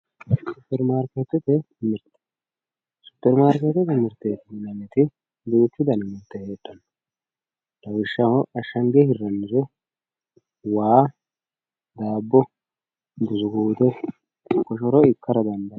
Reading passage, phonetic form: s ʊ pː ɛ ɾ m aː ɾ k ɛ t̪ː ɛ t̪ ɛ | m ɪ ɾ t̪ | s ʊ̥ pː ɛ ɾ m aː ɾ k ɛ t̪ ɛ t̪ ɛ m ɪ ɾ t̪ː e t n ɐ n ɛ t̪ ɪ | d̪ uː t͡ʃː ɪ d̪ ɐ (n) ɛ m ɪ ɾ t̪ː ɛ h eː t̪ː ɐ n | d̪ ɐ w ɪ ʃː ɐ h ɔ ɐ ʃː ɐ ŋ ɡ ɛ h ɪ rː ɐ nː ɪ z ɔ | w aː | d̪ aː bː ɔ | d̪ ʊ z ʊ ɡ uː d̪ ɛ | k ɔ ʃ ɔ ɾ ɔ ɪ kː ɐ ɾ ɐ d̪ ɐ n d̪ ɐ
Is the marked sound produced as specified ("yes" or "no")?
yes